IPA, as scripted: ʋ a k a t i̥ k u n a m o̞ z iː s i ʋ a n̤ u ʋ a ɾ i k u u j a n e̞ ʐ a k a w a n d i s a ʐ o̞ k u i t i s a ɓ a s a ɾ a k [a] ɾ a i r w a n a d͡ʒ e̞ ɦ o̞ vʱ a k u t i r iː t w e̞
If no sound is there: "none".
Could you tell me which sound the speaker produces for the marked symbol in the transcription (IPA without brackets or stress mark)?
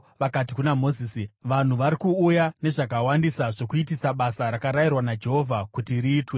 a